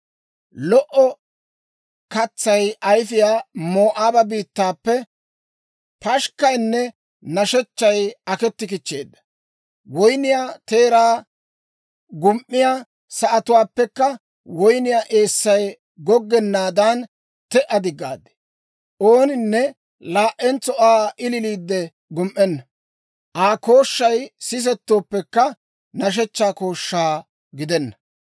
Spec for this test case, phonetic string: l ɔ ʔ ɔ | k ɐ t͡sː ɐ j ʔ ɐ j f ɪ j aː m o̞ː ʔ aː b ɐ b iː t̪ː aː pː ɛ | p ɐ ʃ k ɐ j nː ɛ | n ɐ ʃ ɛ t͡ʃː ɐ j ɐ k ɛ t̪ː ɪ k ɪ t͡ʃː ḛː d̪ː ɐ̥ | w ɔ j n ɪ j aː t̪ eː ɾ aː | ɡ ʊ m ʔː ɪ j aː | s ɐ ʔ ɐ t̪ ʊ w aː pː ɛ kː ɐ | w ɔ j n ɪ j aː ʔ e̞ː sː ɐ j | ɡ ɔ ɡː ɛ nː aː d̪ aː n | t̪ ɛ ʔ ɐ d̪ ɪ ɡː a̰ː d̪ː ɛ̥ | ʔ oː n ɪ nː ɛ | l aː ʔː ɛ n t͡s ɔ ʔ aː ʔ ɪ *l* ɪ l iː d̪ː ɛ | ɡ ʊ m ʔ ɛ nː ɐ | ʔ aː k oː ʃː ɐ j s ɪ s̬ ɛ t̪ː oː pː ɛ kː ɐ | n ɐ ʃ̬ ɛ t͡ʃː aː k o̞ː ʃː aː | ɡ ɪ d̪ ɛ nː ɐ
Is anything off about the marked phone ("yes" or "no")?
no